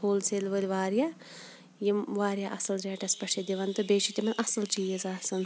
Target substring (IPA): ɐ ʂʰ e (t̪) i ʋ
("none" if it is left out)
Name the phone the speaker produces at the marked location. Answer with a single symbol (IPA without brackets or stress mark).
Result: d̪